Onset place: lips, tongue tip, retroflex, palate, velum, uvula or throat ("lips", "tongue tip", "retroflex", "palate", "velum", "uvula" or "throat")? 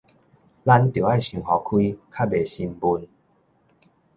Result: tongue tip